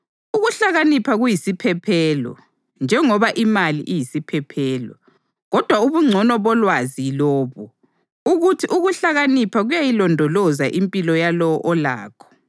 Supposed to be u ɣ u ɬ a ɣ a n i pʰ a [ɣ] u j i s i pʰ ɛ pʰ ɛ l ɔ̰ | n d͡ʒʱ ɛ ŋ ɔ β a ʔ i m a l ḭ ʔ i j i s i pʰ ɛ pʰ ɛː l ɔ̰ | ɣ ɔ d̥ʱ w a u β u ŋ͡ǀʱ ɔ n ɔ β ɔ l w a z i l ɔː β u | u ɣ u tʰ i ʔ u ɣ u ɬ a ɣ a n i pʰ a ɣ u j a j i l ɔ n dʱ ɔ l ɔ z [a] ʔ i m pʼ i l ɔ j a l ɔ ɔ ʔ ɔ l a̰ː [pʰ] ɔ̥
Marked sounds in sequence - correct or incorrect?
correct, correct, incorrect: kʰ

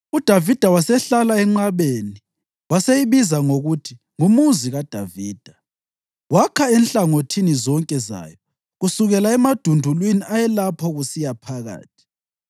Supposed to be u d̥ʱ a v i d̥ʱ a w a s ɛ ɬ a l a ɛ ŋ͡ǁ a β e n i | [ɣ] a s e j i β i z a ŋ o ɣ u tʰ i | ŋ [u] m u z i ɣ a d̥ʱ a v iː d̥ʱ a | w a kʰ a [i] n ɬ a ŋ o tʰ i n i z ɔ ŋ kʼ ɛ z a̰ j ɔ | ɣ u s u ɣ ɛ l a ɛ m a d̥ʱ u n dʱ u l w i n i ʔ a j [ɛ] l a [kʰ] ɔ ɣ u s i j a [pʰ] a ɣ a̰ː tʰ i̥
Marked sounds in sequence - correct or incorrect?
incorrect: w, correct, incorrect: ɛ, correct, incorrect: pʰ, correct

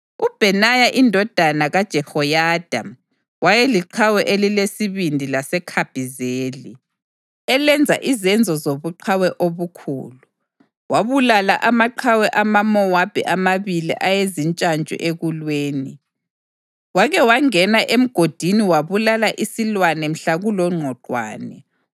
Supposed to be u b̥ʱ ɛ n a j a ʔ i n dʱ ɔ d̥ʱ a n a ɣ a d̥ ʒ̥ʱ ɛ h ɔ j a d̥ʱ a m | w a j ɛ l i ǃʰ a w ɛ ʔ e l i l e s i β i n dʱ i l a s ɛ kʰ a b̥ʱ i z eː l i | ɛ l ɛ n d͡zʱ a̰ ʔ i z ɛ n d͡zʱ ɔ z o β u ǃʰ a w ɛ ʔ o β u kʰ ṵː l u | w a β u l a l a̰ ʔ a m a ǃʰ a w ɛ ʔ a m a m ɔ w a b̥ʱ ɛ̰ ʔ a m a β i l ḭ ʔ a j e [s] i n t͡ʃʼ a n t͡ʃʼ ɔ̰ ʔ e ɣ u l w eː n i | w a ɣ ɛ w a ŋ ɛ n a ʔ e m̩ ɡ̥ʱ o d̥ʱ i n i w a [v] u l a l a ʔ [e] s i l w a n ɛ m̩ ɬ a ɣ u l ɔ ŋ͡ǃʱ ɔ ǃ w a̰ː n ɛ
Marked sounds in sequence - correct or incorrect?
incorrect: z, incorrect: β, incorrect: i

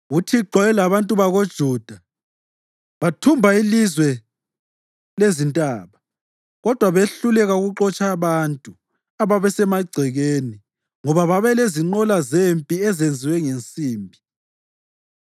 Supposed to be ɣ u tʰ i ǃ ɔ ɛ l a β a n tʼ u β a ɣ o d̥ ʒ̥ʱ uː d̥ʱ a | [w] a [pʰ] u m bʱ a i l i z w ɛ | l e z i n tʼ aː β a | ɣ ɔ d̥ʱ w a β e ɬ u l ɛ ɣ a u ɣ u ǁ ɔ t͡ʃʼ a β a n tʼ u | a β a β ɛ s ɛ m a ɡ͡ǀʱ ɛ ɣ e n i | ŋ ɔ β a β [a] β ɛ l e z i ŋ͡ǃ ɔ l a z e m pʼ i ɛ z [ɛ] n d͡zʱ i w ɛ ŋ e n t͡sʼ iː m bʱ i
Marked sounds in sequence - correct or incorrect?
incorrect: β, incorrect: tʰ, correct, incorrect: e

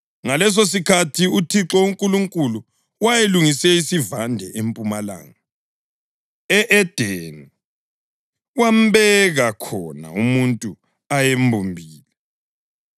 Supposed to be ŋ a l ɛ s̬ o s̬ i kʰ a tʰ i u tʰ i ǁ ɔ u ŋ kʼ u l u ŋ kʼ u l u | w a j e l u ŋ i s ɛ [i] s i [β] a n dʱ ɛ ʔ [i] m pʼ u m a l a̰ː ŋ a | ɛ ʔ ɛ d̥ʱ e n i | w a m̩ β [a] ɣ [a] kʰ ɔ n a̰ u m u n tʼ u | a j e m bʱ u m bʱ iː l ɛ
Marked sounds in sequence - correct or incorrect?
correct, incorrect: v, incorrect: e, incorrect: ɛ, correct

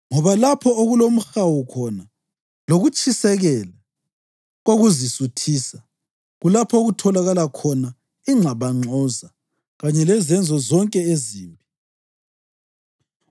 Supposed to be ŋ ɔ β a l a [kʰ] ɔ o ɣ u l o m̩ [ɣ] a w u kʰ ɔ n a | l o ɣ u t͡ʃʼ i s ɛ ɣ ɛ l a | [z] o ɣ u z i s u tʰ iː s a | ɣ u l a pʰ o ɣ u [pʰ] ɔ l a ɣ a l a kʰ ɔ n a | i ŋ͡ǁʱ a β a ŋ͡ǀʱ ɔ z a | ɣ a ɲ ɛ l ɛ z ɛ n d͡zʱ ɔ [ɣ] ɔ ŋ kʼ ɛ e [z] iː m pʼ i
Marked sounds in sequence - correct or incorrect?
incorrect: pʰ, incorrect: x, incorrect: ɣ, incorrect: tʰ, incorrect: z, correct

